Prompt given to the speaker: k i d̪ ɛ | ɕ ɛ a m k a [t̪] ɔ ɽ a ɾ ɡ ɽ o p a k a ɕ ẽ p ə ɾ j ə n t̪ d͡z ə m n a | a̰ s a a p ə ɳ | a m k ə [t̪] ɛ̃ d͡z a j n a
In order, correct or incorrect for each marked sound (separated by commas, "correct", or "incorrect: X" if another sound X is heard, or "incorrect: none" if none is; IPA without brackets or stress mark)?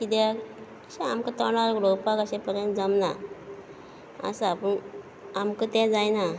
correct, correct